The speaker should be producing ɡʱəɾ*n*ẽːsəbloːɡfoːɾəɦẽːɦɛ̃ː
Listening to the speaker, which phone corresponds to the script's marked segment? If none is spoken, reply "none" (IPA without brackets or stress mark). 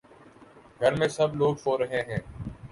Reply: m